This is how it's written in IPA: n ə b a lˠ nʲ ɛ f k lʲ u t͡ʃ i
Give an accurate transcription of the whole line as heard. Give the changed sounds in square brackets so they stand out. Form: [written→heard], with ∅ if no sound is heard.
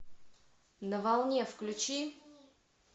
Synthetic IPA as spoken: n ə [b→v] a lˠ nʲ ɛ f k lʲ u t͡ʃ i